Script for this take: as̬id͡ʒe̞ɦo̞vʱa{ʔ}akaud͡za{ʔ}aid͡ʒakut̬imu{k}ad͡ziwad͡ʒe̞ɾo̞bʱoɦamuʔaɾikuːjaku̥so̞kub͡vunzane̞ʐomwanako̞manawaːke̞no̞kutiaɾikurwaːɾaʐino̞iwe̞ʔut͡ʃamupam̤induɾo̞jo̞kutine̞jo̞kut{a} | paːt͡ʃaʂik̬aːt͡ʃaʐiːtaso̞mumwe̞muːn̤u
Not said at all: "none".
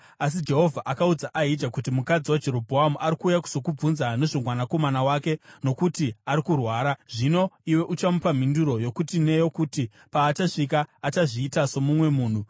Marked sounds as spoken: ʔ, ʔ, k, i

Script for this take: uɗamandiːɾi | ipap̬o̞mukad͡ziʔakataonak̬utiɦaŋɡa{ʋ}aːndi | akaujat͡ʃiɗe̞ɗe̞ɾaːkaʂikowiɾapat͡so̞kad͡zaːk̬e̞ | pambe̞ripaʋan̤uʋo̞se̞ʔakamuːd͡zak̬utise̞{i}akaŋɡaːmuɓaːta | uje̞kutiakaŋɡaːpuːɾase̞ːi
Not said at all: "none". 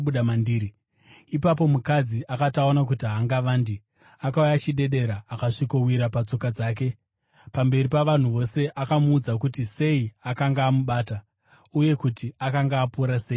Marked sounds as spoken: ʋ, i

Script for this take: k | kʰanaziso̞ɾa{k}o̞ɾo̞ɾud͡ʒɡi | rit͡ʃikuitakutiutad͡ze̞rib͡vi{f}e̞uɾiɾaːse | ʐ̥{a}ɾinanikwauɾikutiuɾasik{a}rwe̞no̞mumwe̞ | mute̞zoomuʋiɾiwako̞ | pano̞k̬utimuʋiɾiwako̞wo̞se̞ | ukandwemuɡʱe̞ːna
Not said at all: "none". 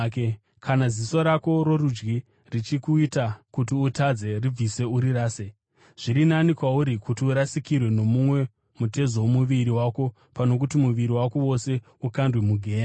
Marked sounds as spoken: k, s, i, i

